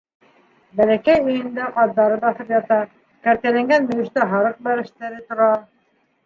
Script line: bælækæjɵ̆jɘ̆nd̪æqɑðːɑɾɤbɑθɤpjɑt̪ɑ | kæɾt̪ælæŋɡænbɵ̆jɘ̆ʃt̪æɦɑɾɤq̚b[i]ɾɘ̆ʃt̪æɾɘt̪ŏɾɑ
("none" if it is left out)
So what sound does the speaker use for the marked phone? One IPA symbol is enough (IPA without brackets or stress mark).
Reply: æ